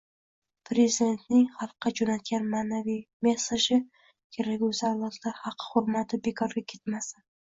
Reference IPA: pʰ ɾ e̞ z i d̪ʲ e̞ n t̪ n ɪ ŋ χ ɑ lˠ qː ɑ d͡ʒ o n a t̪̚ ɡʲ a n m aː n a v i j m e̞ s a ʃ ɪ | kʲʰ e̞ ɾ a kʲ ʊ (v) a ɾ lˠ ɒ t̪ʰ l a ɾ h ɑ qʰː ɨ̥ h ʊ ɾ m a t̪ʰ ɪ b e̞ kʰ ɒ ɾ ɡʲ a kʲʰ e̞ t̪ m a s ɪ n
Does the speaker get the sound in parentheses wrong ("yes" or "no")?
yes